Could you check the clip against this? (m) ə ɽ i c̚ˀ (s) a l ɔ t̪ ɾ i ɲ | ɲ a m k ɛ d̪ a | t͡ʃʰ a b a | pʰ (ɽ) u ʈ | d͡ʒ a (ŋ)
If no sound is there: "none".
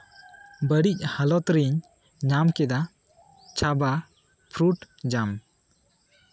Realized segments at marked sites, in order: b, h, ɾ, m

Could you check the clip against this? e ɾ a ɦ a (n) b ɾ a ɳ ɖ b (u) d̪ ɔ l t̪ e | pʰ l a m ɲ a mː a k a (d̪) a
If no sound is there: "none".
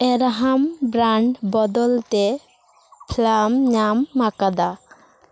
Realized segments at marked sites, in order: m, ɔ, d̪

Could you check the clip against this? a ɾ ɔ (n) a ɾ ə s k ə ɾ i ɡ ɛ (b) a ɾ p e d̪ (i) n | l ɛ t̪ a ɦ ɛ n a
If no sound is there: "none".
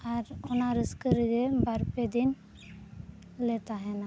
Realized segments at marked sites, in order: n, b, i

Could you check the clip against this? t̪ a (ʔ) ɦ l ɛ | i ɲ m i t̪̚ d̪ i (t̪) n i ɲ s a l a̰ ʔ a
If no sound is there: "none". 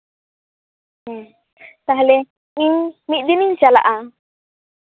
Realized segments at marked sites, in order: none, none

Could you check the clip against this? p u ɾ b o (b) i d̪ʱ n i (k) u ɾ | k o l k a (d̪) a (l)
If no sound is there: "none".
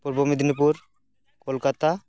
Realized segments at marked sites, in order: m, p, t̪, none

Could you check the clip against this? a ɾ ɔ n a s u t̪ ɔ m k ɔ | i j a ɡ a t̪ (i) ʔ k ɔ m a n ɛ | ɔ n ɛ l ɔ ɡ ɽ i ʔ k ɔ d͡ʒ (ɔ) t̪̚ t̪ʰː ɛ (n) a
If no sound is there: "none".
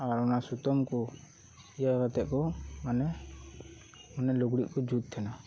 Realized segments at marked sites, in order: ɛ, u, n

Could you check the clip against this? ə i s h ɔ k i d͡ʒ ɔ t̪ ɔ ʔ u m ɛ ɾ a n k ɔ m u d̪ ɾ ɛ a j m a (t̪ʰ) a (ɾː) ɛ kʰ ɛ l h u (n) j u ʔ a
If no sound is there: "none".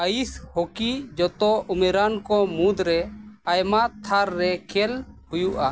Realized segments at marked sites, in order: t̪ʰ, ɾː, none

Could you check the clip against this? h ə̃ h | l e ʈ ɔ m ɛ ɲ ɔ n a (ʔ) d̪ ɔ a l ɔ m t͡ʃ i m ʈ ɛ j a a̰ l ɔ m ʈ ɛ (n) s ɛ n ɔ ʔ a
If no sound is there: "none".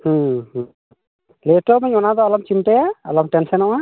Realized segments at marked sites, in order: none, n

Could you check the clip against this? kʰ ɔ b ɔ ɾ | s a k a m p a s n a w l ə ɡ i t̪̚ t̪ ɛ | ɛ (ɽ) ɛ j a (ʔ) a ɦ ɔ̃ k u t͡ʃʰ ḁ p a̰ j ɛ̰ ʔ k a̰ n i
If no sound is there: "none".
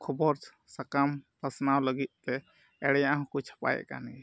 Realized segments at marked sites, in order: ɽ, ʔ

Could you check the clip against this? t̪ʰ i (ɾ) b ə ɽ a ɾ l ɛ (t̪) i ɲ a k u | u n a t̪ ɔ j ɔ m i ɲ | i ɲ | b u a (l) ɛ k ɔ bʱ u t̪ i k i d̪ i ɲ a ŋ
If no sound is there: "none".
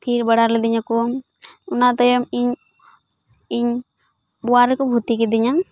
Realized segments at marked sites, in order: ɾ, d̪, ɾ

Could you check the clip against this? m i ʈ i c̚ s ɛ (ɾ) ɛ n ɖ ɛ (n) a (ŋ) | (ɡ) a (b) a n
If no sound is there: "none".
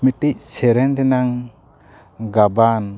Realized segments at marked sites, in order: ɾ, n, ŋ, ɡ, b

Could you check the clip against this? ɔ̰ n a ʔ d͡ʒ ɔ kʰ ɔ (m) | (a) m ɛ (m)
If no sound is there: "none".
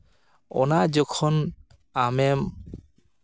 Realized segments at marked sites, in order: n, a, m

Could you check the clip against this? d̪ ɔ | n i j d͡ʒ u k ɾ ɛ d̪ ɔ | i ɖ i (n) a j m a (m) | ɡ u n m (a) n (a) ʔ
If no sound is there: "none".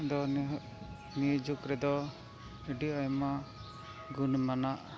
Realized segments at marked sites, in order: none, none, a, a

